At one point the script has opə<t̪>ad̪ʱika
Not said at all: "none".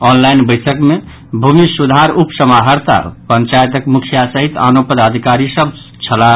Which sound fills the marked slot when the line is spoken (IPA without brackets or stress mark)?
d̪